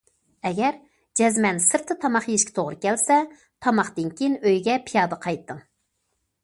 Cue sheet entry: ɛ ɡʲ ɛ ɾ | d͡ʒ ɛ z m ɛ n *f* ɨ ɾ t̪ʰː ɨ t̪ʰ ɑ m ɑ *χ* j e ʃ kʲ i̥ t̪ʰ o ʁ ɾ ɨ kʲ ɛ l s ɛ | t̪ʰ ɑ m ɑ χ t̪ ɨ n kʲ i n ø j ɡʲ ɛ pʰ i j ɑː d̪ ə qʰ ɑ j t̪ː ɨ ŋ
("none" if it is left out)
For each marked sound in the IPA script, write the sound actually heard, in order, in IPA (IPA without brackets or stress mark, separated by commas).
s, χ